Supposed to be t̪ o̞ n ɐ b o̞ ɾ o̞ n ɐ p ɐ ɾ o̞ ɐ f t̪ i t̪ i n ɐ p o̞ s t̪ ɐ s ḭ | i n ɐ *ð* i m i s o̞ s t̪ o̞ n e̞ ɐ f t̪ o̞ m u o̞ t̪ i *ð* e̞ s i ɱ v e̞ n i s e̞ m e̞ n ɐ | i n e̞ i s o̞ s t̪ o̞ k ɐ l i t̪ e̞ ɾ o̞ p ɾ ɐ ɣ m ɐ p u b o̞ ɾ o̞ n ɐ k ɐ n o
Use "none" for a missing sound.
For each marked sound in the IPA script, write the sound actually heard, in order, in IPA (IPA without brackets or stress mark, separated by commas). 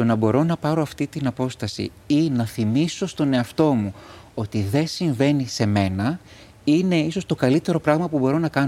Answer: θ, ð